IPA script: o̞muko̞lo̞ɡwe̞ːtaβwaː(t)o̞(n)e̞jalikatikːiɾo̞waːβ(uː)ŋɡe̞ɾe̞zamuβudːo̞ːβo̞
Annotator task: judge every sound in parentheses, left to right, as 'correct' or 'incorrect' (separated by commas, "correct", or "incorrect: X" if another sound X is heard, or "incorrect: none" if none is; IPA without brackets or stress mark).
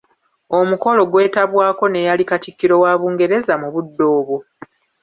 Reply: incorrect: k, correct, correct